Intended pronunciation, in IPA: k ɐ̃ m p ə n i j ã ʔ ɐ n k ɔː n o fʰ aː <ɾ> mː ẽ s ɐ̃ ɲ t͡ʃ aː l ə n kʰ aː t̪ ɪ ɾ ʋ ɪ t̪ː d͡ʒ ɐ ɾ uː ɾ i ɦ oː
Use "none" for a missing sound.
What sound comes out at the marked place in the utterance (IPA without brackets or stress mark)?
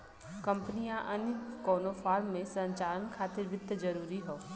ɾ